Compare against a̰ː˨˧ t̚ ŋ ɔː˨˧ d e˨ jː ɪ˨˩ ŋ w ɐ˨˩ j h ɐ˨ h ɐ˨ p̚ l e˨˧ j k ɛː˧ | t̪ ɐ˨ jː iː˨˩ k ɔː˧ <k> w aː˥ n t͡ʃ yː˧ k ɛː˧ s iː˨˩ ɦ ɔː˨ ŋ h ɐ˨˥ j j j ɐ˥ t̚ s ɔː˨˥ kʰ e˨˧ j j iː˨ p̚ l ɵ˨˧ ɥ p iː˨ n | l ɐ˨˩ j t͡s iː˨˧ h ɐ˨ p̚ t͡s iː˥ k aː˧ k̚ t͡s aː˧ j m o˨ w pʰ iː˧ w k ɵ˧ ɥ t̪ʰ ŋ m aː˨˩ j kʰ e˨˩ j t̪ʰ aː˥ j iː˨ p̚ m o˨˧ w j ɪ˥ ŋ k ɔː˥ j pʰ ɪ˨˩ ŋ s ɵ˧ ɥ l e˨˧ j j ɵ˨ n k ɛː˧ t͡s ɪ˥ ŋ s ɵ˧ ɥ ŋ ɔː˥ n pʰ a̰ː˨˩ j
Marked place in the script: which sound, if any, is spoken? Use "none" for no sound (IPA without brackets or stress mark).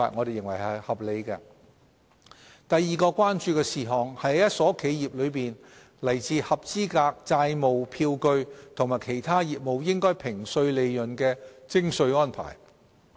k